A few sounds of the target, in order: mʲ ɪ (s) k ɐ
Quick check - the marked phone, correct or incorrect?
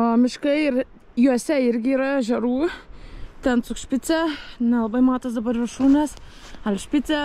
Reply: incorrect